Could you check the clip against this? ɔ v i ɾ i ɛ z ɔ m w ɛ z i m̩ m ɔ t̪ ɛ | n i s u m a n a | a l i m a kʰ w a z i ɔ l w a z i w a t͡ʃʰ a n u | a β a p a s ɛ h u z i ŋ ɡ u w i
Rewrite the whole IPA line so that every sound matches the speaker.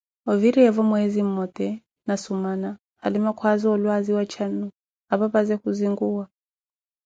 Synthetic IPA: ɔ v i ɾ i ɛ v ɔ m w ɛ z i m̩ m ɔ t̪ ɛ | n a s u m a n a | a l i m a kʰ w a z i ɔ l w a z i w a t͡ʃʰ a n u | a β a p a z ɛ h u z i ŋ ɡ u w a

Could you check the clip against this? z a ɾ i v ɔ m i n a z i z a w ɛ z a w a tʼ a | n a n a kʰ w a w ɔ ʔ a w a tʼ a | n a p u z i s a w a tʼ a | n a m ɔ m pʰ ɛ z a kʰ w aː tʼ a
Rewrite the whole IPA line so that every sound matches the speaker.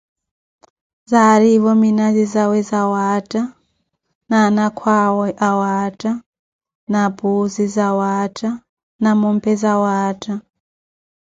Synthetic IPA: z a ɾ i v ɔ m i n a z i z a w ɛ z a w a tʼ a | n a n a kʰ w a w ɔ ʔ a w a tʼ a | n a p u z i z a w a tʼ a | n a m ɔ m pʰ ɛ z a w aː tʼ a

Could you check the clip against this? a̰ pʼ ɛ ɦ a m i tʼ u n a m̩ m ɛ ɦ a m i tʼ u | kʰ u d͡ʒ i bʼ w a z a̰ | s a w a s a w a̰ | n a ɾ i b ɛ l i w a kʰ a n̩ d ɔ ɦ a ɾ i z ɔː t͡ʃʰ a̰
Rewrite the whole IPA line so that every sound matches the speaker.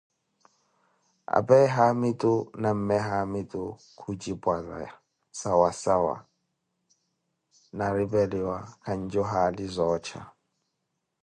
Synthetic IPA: a̰ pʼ ɛ ɦ a m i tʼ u n a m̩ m ɛ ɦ a m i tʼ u | kʰ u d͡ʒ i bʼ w a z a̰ | s a w a s a w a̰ | n a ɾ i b ɛ l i w a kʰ a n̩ d͡ʒ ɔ ɦ a l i z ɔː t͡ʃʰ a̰

